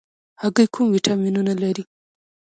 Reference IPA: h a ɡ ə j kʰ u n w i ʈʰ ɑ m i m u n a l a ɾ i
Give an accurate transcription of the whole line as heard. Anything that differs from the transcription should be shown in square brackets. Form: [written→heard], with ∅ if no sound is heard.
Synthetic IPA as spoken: h a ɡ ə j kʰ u [n→m] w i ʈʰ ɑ m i [m→n] u n a l a ɾ i